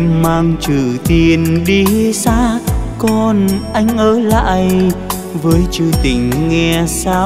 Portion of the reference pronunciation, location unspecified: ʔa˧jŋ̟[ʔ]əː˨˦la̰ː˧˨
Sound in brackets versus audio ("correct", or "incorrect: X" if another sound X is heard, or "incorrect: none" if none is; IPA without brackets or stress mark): correct